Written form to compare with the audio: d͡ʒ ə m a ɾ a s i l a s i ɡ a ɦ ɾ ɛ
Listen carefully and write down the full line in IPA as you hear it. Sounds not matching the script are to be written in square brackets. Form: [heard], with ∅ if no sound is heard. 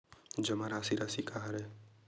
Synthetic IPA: d͡ʒ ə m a ɾ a s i [ɾ] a s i [k] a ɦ ɾ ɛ